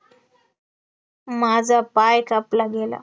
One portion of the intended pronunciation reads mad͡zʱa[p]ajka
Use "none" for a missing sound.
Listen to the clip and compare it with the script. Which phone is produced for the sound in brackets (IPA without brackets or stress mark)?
p